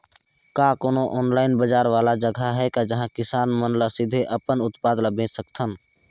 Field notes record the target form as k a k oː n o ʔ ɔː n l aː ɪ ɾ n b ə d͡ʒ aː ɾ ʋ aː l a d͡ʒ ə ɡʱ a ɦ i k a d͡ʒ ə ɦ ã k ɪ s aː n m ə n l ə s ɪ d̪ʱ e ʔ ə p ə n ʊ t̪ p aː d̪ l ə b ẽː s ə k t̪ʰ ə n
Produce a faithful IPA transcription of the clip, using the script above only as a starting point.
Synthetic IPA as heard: k a k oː n o ʔ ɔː n l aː ɪ n b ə d͡ʒ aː ɾ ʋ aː l a d͡ʒ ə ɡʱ a ɦ ɛ k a d͡ʒ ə ɦ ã k ɪ s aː n m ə n l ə s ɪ d̪ʱ e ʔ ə p ə n ʊ t̪ p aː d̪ l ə b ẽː s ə k t̪ʰ ə n